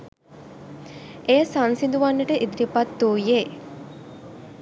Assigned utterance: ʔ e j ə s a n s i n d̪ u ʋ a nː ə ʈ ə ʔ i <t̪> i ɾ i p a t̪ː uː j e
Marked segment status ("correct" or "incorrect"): incorrect